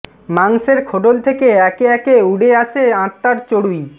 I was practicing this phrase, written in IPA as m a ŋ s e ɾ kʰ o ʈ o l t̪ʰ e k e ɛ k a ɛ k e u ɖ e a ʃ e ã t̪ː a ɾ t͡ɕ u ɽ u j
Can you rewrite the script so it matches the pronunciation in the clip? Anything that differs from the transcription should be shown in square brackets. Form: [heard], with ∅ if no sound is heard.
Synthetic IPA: m a ŋ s e ɾ kʰ o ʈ o l t̪ʰ e k e ɛ k [e] ɛ k e u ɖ e a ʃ e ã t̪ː a ɾ t͡ɕ [o] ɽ u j

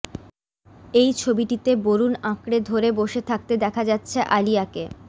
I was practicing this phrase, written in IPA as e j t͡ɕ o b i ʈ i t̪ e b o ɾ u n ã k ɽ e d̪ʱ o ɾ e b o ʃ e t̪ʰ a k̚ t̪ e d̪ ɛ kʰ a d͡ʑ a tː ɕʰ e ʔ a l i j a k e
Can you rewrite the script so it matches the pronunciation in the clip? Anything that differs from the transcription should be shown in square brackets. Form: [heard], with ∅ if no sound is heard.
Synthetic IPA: e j [t͡ɕʰ] o b i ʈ i t̪ e b o ɾ u n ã k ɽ e d̪ʱ o ɾ e b o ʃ e t̪ʰ a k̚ t̪ e d̪ ɛ kʰ a d͡ʑ a tː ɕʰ e ʔ a l i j a k e

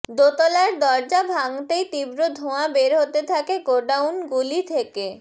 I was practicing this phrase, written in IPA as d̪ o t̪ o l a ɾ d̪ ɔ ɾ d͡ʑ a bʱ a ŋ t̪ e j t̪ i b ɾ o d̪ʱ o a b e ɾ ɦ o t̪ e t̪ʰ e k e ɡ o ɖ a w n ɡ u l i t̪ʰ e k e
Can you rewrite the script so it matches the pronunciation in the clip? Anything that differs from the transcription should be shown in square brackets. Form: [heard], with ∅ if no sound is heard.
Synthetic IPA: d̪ o t̪ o l a ɾ d̪ ɔ ɾ d͡ʑ a bʱ a ŋ t̪ e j t̪ i b ɾ o d̪ʱ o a b e ɾ ɦ o t̪ e t̪ʰ [a] k e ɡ o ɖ a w n ɡ u l i t̪ʰ e k e

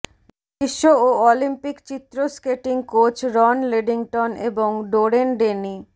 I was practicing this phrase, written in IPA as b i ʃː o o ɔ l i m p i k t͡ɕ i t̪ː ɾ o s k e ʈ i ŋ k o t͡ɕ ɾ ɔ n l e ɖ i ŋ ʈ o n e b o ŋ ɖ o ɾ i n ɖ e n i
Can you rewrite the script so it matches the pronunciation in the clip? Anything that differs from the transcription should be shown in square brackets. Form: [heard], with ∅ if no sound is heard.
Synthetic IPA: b i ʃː o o ɔ l i m p i k t͡ɕ i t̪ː ɾ o s k e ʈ i ŋ k o t͡ɕ ɾ ɔ n l e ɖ i ŋ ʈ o n e b o ŋ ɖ o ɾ [e] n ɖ e n i

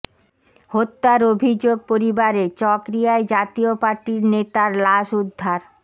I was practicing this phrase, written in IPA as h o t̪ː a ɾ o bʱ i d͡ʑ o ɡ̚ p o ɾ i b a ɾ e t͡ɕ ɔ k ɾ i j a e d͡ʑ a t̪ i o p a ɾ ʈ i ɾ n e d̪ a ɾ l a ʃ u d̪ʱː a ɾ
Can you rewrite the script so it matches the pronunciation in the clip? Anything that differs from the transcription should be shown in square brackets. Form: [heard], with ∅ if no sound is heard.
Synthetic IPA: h o t̪ː a ɾ o bʱ i d͡ʑ o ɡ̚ p o ɾ i b a ɾ e t͡ɕ ɔ k ɾ i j a e d͡ʑ a t̪ i o p a ɾ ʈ i ɾ n e [t̪] a ɾ l a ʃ u d̪ʱː a ɾ

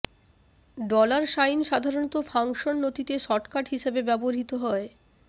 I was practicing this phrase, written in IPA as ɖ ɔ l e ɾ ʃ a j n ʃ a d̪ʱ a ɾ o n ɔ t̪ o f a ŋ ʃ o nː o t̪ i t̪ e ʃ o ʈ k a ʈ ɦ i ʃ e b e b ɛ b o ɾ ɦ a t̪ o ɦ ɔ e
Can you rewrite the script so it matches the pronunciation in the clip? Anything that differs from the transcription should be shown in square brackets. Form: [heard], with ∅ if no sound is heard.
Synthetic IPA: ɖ ɔ l [a] ɾ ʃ a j n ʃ a d̪ʱ a ɾ o n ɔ t̪ o f a ŋ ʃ o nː o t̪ i t̪ e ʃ [ɔ] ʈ k a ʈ ɦ i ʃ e b e b ɛ b o ɾ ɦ [i] t̪ o ɦ ɔ e

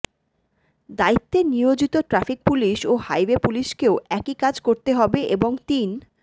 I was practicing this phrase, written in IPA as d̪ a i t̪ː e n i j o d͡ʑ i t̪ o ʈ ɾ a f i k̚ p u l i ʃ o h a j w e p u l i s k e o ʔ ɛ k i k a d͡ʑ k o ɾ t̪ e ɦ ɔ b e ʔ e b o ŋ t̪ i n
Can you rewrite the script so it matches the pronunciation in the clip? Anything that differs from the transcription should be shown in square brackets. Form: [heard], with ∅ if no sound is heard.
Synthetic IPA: d̪ a i t̪ː e n i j o d͡ʑ i t̪ o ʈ ɾ a f i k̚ p u l i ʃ o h a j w e p u l i [ʃ] k e o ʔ ɛ k i k a d͡ʑ k o ɾ t̪ e ɦ ɔ b e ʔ e b o ŋ t̪ i n

